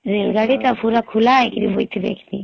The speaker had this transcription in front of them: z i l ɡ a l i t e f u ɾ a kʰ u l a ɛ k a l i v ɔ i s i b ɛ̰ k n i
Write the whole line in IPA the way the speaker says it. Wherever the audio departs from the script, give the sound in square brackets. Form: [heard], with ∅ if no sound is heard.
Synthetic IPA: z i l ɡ a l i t [a] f u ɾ a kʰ u l a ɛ k [i] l i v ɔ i [t] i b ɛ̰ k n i